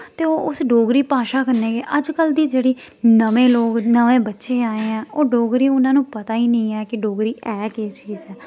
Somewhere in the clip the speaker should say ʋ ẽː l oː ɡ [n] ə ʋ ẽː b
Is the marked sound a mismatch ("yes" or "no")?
no